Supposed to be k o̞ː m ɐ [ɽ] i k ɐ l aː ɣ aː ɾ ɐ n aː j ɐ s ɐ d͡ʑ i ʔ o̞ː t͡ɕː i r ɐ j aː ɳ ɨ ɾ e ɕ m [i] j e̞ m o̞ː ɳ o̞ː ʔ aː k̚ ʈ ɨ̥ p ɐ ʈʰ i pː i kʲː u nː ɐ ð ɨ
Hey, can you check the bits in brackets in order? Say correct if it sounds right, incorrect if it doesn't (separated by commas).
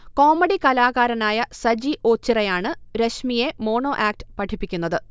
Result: correct, correct